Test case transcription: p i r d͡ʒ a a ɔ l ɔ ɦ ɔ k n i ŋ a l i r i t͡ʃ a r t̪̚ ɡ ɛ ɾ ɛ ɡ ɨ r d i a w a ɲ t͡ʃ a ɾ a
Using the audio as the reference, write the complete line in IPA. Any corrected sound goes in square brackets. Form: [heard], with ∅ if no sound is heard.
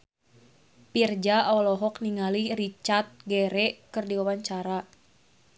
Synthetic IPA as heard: p i r d͡ʒ a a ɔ l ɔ ɦ ɔ k n i ŋ a l i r i t͡ʃ a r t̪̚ ɡ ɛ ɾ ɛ [k] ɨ r d i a w a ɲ t͡ʃ a ɾ a